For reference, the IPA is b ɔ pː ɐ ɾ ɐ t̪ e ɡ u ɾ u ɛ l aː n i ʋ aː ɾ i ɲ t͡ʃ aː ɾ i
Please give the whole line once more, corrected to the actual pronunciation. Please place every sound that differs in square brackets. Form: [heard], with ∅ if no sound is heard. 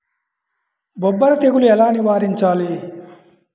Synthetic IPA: b ɔ [bː] ɐ ɾ ɐ t̪ e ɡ u [l] u ɛ l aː n i ʋ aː ɾ i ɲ t͡ʃ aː [l] i